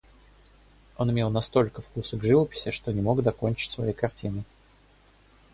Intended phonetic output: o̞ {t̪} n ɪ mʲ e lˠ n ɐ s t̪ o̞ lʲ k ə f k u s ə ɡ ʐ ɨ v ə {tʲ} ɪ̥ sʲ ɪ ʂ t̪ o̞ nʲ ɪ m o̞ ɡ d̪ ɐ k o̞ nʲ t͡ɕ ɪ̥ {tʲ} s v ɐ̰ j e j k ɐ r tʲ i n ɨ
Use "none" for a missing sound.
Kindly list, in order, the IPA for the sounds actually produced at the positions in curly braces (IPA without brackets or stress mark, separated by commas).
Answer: none, pʲ, tʲ